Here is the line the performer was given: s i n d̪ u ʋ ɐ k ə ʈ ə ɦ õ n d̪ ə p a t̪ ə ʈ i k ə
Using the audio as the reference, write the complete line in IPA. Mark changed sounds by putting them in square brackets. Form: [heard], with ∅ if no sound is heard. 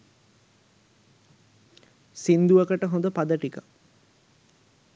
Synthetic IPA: s i n d̪ u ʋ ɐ k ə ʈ ə ɦ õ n d̪ ə p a [d̪] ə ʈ i k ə

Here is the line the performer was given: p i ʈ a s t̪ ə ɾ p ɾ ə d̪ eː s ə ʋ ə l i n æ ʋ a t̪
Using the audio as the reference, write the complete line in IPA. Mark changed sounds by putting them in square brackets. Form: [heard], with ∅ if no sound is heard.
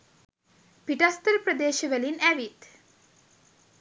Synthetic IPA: p i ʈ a s t̪ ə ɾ p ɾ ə d̪ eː [ʃ] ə ʋ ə l i n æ ʋ [i] t̪

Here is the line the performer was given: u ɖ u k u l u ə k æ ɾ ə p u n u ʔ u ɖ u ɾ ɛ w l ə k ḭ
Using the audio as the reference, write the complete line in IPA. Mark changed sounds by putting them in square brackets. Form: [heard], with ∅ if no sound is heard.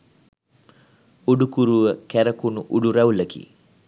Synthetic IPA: u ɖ u k u [ɾ] u ə k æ ɾ ə [k] u n u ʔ u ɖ u ɾ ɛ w l ə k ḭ

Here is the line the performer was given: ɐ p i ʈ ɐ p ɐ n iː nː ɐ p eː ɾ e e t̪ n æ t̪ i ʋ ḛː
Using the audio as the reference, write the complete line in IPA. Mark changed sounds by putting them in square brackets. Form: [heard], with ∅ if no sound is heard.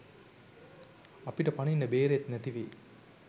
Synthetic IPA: ɐ p i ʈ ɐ p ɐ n [i] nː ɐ [b] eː ɾ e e t̪ n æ t̪ i ʋ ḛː

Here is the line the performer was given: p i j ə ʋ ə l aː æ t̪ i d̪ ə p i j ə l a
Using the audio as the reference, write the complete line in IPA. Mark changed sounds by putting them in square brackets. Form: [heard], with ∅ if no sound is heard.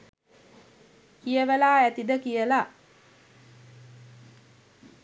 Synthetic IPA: [k] i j ə ʋ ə l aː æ t̪ i d̪ ə [k] i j ə l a

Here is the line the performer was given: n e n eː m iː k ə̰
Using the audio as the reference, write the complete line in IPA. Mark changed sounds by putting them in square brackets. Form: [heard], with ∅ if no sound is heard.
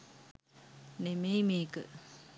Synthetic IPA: n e [m] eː m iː k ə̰

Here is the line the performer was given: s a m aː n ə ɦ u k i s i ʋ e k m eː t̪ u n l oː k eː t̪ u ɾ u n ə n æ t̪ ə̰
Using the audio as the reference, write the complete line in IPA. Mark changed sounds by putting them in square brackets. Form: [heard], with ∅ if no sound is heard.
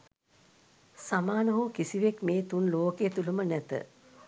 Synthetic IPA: s a m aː n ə ɦ u k i s i ʋ e k m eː t̪ u n l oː k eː t̪ u [l] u [m] ə n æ t̪ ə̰

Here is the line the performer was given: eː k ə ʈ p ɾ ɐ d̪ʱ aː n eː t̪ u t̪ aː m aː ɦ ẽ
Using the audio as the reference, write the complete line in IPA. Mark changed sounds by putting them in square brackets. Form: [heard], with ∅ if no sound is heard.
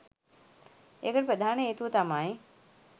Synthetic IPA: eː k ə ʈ p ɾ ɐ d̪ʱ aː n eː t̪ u t̪ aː m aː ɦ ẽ

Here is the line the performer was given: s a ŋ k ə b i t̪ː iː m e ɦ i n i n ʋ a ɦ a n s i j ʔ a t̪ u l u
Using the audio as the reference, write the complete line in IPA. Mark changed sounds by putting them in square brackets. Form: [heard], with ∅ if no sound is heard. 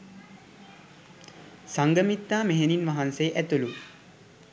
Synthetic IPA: s a ŋ [ɡ] ə [m] i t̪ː [aː] m e ɦ [e] n i n ʋ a ɦ a n s [e] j ʔ [æ] t̪ u l u

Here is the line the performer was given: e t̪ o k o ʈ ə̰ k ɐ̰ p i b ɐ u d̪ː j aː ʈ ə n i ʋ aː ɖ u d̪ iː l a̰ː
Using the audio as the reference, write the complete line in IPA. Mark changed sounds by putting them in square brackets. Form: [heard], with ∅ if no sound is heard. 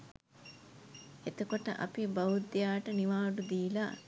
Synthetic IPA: e t̪ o k o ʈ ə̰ [ʔ] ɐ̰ p i b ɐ u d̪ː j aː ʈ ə n i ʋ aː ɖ u d̪ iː l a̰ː

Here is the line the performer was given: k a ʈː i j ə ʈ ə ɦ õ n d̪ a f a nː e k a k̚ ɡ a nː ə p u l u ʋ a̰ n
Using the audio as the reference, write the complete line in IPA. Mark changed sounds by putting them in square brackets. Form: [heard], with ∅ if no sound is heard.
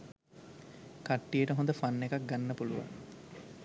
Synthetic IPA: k a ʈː i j ə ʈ ə ɦ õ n d̪ [ə] f a nː e k a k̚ ɡ a nː ə p u l u ʋ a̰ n

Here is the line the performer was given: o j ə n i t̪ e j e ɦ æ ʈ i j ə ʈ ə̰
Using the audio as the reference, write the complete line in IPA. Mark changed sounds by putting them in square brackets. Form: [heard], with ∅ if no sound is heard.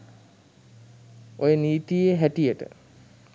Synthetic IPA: o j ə n [iː] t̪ [i] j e ɦ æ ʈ i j ə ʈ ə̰

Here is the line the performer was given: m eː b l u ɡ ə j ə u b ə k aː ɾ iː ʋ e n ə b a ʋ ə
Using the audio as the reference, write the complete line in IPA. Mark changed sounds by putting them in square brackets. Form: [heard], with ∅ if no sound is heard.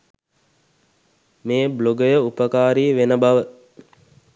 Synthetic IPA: m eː b l [o] ɡ ə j ə u [p] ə k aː ɾ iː ʋ e n ə b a ʋ ə

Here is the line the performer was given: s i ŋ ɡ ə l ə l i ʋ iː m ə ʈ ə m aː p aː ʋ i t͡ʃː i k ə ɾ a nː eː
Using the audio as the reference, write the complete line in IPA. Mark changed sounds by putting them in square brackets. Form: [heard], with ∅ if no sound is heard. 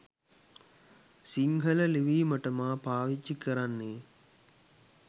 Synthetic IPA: s i ŋ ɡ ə l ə l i ʋ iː m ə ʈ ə m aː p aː ʋ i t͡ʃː i k ə ɾ a nː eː

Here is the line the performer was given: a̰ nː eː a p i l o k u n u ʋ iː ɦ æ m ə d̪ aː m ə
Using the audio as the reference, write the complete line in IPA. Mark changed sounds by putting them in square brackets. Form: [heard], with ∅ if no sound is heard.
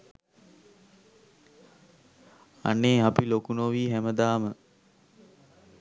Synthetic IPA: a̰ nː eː a p i l o k u n [o] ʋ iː ɦ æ m ə d̪ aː m ə

